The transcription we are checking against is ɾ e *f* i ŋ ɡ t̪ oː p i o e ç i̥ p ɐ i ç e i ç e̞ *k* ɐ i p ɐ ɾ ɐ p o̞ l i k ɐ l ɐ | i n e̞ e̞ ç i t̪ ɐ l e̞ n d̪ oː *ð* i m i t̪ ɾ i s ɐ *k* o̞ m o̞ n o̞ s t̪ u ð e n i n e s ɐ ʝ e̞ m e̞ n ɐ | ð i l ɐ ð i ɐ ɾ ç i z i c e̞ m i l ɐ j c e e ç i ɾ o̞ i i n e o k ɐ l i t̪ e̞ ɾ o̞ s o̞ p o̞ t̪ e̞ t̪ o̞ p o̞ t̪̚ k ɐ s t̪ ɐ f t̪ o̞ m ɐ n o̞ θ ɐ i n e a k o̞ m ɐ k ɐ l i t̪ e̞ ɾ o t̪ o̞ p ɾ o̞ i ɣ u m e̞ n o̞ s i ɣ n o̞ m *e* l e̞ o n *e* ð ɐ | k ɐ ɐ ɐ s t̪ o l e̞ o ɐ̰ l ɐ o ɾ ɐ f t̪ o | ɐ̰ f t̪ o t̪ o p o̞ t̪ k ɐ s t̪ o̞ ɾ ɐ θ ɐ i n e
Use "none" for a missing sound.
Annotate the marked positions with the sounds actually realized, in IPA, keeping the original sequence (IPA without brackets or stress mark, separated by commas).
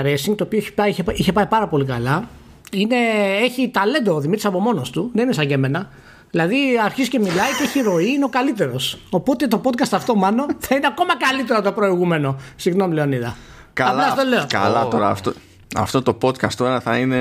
s, p, ð, p, i, i